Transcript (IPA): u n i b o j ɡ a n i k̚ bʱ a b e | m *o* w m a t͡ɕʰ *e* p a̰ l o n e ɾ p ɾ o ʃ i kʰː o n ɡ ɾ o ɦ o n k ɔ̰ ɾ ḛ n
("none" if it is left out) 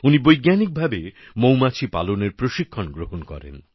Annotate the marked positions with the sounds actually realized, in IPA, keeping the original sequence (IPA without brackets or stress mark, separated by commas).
o, i